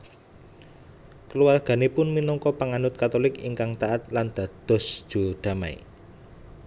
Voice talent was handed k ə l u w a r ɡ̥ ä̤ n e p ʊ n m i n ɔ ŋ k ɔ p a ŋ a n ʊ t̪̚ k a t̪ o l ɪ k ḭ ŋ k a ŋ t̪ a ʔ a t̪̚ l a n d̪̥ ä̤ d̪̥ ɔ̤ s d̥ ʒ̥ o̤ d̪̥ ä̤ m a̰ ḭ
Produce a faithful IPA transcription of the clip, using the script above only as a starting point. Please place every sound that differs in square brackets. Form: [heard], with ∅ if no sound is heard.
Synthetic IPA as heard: k ə l u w a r ɡ̥ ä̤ n e p ʊ n m i n ɔ ŋ k ɔ p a ŋ a n ʊ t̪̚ k a t̪ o l ɪ k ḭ ŋ k a ŋ t̪ a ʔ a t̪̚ l a n d̪̥ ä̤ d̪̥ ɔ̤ s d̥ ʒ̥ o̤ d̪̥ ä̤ m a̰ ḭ